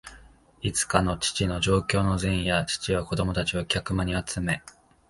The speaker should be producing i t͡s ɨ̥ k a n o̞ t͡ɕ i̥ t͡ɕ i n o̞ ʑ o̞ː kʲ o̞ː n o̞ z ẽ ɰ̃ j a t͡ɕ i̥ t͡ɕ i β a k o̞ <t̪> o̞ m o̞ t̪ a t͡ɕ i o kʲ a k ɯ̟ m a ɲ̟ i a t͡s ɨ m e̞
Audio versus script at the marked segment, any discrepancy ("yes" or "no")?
yes